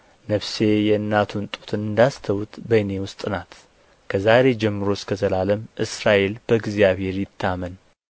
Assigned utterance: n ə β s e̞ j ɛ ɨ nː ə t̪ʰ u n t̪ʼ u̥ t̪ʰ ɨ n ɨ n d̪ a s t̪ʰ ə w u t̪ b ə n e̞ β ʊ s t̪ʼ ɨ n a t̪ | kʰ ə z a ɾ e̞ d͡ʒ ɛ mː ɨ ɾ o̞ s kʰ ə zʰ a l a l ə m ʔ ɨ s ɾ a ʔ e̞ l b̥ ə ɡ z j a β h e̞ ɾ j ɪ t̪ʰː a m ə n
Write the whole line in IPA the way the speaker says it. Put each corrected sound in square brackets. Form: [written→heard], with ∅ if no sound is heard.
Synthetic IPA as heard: n ə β s e̞ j ɛ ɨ nː [ə→a] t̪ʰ u n t̪ʼ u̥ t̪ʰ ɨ n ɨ n d̪ a s t̪ʰ ə w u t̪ b ə n e̞ [β→w] ʊ s t̪ʼ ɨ n a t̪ | kʰ ə z a ɾ e̞ d͡ʒ ɛ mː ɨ ɾ o̞ s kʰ ə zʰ [a→ə] l a l ə m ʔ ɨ s ɾ a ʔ e̞ l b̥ ə ɡ z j a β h e̞ ɾ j ɪ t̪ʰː a m ə n